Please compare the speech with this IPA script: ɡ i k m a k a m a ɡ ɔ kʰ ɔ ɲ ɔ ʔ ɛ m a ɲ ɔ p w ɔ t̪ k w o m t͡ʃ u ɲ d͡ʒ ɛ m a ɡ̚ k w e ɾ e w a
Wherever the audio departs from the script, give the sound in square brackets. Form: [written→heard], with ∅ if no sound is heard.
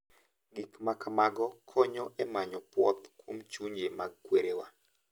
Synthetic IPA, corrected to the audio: ɡ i k m a k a m a ɡ ɔ kʰ ɔ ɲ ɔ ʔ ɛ m a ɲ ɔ p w ɔ t̪ k w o m t͡ʃ u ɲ d͡ʒ [ɛ→e] m a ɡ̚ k w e ɾ e w a